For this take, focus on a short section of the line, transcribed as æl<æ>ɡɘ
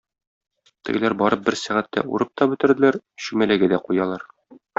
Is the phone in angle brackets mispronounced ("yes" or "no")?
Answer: no